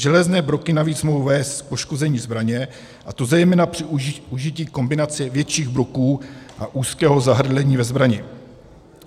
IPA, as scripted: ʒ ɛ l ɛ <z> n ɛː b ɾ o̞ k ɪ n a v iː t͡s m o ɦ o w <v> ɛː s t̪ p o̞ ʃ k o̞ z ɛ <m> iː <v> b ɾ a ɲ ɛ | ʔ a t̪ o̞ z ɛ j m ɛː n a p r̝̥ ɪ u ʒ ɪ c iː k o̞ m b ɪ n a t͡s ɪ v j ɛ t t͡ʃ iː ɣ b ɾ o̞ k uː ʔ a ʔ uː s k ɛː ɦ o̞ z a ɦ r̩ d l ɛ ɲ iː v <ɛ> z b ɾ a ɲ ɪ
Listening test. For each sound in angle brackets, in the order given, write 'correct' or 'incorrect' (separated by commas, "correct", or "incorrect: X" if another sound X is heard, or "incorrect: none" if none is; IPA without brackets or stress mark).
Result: correct, correct, incorrect: ɲ, incorrect: z, correct